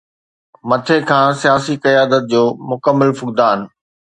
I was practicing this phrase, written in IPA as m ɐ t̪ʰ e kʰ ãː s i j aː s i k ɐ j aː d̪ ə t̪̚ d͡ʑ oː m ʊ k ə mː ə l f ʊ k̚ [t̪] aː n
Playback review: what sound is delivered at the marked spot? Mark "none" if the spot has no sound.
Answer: d̪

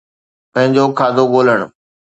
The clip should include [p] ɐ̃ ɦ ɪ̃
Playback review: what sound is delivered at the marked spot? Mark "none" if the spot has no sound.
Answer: p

